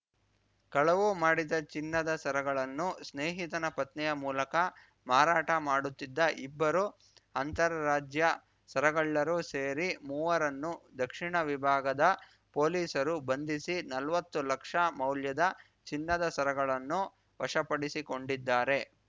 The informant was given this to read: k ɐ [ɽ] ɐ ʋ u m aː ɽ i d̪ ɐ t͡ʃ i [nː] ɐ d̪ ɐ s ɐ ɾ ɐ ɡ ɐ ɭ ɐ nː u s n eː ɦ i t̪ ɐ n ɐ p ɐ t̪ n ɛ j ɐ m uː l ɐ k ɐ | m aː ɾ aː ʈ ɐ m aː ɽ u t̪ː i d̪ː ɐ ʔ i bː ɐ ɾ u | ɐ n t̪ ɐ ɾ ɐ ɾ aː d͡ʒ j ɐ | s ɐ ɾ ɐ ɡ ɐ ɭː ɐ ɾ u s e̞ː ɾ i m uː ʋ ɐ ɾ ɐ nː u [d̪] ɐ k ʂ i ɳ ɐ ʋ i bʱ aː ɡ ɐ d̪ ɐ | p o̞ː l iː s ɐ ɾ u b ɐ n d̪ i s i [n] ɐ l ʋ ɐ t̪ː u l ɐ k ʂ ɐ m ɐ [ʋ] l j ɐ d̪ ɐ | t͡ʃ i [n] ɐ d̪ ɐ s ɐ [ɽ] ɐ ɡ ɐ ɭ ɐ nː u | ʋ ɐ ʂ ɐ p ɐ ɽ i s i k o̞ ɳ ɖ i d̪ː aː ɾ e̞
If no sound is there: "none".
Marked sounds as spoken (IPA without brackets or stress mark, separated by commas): ɭ, nː, d̪, n, w, nː, ɾ